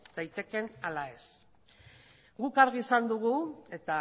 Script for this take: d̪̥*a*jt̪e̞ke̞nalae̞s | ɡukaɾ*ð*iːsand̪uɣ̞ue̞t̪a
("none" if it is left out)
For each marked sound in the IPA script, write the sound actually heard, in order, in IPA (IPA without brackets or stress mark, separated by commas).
a, ɣ